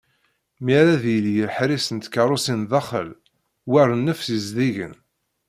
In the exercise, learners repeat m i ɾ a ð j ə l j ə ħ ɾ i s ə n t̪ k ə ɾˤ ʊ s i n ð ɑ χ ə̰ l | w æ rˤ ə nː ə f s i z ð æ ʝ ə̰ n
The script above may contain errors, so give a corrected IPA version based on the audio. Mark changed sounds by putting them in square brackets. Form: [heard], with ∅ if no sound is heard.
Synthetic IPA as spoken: m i ɾ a ð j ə l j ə ħ ɾ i s ə n t̪ k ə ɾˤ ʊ s i n ð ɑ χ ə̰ l | w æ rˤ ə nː ə f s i z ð [i] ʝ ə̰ n